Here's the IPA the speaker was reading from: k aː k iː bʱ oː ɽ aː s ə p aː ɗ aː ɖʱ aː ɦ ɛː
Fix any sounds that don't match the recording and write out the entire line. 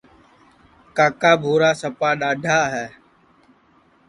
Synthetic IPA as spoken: k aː k aː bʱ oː ɾ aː s ə p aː ɗ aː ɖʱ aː ɦ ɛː

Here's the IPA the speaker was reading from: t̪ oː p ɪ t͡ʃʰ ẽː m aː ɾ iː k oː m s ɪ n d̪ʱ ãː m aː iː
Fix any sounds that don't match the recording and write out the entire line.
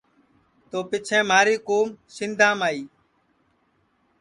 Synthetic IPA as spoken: t̪ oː p ɪ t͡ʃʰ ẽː m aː ɾ iː k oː m s ɪ n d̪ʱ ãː m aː iː

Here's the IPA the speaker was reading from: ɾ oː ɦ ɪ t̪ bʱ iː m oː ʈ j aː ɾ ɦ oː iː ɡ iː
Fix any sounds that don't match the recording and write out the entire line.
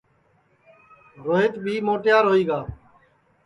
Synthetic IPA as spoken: ɾ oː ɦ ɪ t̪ bʱ iː m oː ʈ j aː ɾ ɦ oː iː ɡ aː

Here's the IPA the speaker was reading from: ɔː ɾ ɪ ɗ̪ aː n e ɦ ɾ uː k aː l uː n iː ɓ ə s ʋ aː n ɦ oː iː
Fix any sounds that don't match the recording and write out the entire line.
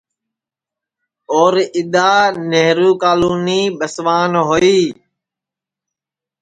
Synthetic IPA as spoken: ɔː ɾ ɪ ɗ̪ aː n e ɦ ɾ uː k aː l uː n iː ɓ ə s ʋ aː n ɦ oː iː

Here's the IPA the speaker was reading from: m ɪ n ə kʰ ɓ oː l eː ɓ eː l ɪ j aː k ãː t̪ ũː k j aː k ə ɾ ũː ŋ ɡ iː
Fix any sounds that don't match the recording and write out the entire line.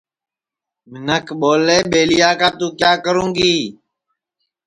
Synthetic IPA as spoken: m ɪ n ə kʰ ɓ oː l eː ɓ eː l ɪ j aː k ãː t̪ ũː k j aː k ə ɾ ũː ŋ ɡ iː

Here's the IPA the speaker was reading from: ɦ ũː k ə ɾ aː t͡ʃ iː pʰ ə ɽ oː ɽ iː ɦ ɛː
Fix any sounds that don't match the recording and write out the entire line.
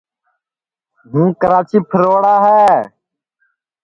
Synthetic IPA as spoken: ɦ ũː k ə ɾ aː t͡ʃ iː pʰ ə ɾ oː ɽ aː ɦ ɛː

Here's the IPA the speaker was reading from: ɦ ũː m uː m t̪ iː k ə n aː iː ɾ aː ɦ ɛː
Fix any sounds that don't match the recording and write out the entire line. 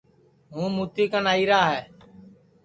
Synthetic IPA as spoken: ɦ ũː m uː t̪ iː k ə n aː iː ɾ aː ɦ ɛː

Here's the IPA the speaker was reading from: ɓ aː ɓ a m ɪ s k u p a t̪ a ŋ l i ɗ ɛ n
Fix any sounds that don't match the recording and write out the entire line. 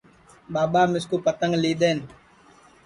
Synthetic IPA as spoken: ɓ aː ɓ a m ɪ s k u p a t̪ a ŋ l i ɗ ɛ n

